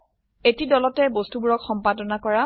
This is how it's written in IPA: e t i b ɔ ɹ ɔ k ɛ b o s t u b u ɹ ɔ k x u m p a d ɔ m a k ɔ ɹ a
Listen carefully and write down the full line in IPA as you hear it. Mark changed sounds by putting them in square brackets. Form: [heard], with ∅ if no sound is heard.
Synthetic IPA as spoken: e t i [d] ɔ [l] ɔ [t] ɛ b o s t u b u ɹ ɔ k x [ɔ] m p a d ɔ [n] a k ɔ ɹ a

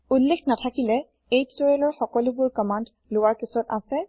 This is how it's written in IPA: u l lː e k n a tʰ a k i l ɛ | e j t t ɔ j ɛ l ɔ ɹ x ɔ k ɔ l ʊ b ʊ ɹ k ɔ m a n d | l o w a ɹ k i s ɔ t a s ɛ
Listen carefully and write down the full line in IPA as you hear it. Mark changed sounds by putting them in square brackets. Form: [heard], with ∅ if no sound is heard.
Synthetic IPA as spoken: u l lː e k n a tʰ a k i l ɛ | e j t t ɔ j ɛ l ɔ ɹ x ɔ k ɔ l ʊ b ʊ ɹ k ɔ m a n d | l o w a ɹ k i s ɔ t a s ɛ

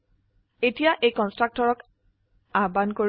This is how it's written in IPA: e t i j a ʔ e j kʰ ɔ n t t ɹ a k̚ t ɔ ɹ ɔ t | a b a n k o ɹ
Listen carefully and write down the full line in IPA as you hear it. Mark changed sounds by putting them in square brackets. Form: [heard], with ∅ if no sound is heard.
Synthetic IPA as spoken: e t i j a ʔ e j [k] ɔ n [s] t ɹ a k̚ t ɔ ɹ ɔ [k] | a b a n k o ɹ

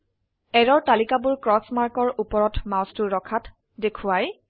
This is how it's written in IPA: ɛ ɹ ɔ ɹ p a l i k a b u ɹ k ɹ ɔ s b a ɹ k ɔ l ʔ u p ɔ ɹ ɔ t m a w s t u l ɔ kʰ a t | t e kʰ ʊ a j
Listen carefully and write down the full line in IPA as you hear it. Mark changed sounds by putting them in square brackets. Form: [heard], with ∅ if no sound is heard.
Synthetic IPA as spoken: ɛ ɹ ɔ ɹ [t] a l i k a b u ɹ k ɹ ɔ s [m] a ɹ k ɔ [ɹ] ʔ u p ɔ ɹ ɔ t m a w s t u [ɹ] ɔ kʰ a t | [d] e kʰ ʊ a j

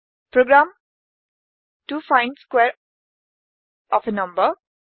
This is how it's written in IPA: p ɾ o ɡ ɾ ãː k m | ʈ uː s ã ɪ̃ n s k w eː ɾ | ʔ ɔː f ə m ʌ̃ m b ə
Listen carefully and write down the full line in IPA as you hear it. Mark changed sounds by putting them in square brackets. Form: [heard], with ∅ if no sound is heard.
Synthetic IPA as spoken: p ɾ o ɡ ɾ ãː [∅] m | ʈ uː [f] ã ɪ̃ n s k w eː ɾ | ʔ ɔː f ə [n] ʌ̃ m b ə

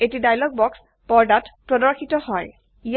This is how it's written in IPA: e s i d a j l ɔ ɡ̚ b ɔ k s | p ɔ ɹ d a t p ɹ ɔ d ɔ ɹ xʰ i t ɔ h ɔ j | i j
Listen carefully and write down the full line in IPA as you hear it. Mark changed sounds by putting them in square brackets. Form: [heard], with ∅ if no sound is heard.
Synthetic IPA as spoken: e [t] i d a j l ɔ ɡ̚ b ɔ k s | p ɔ ɹ d a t p ɹ ɔ d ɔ ɹ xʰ i t ɔ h ɔ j | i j

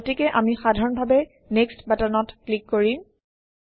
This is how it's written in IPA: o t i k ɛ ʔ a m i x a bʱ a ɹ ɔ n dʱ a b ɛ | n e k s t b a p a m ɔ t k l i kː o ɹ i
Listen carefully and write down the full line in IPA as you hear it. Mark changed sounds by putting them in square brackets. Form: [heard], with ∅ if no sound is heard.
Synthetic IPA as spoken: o t i k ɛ ʔ a m i x a [dʱ] a ɹ ɔ n [bʱ] a b ɛ | n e k s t b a [t] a [n] ɔ t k l i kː o ɹ i

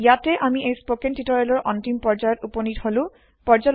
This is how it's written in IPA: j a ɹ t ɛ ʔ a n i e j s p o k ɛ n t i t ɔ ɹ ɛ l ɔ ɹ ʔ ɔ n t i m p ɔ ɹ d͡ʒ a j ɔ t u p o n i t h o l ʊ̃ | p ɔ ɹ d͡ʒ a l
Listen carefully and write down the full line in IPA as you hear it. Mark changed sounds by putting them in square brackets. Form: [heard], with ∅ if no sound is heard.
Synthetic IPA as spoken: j a [∅] t ɛ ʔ a [m] i e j s p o k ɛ n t i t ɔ ɹ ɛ l ɔ ɹ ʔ ɔ n t i m p ɔ ɹ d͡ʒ a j ɔ t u p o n i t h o l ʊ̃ | p ɔ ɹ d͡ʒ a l

